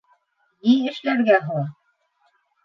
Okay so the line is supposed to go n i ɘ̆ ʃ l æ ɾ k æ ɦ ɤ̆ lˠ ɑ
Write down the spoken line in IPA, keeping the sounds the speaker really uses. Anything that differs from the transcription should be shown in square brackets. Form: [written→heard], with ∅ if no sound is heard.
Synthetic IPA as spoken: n i ɘ̆ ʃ l æ ɾ [k→ɡ] æ ɦ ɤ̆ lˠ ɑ